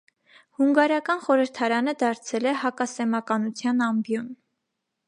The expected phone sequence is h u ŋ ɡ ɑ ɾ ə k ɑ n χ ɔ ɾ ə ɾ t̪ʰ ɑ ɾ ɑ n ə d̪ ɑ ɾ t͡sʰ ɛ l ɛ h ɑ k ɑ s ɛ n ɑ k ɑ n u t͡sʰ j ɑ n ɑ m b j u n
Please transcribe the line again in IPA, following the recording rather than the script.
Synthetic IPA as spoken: h u ŋ ɡ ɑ ɾ ɑ k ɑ n χ ɔ ɾ ə ɾ t̪ʰ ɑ ɾ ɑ n ə d̪ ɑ ɾ t͡sʰ ɛ l ɛ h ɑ k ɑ s ɛ m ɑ k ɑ n u t͡sʰ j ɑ n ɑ m b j ɔ n